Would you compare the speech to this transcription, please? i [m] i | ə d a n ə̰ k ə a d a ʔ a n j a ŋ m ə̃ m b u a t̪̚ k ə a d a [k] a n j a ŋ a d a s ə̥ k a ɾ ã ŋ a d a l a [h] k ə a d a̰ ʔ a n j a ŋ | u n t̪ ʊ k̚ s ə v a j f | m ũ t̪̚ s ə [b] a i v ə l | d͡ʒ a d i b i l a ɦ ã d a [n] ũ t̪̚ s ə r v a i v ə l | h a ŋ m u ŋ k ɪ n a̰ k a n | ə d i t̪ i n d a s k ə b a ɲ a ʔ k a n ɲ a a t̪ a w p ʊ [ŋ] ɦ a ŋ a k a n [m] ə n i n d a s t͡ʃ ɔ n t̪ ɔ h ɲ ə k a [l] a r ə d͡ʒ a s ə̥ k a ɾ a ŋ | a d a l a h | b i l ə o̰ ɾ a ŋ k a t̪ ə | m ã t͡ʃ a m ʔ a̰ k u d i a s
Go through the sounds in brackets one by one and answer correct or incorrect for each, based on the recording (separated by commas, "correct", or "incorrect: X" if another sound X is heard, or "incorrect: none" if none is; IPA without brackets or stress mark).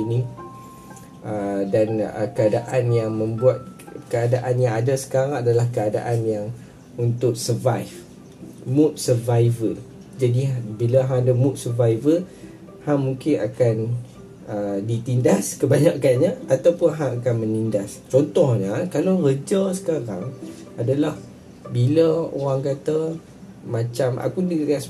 incorrect: n, incorrect: ʔ, correct, incorrect: v, incorrect: m, incorrect: n, correct, correct